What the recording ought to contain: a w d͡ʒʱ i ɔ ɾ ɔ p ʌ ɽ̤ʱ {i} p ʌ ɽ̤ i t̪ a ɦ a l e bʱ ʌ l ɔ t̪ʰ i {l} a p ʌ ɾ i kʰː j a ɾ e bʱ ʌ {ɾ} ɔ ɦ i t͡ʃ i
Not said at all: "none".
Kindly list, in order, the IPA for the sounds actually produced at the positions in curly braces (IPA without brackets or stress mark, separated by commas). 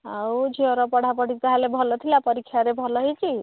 a, l, l